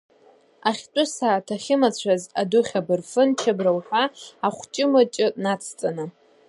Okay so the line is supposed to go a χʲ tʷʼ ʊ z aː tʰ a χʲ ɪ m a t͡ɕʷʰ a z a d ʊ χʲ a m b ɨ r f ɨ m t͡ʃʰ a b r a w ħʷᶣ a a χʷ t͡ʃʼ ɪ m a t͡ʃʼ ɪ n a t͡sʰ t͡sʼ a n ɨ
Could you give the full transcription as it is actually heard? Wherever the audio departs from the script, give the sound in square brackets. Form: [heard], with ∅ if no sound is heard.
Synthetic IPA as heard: a χʲ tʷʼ ʊ [s] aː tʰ a χʲ ɪ m a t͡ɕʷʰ a z a d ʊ χʲ a [∅] b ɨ r f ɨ [n] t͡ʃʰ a b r a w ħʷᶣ a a χʷ t͡ʃʼ ɪ m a t͡ʃʼ ɪ n a t͡sʰ t͡sʼ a n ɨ